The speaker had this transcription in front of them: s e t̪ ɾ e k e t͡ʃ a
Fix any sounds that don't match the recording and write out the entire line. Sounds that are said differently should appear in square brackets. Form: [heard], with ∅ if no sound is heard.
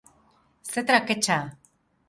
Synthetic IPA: s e t̪ ɾ [a] k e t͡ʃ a